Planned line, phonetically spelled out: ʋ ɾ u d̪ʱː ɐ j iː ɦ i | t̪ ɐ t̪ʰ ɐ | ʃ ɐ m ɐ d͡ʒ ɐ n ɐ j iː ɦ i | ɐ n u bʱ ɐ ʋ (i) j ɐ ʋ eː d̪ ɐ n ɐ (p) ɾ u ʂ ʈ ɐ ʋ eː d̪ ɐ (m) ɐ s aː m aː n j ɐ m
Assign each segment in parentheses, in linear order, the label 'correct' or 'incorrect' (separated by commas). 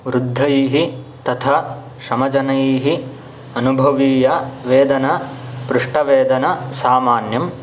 incorrect, correct, incorrect